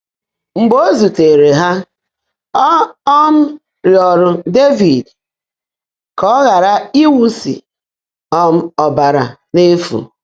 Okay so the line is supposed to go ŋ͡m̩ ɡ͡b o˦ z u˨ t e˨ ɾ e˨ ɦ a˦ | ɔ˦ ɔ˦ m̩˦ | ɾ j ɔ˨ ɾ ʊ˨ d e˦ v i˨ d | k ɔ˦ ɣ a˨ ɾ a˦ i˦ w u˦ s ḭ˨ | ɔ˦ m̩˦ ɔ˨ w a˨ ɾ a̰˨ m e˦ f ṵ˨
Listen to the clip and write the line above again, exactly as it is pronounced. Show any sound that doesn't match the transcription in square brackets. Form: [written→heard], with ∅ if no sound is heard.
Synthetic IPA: ŋ͡m̩ ɡ͡b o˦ z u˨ t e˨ ɾ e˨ ɦ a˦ | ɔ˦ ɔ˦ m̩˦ | ɾ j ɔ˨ ɾ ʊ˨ d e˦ v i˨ d | k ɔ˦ ɣ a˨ ɾ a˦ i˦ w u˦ s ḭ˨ | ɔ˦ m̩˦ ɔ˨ [w→b] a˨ ɾ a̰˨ [m→n] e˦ f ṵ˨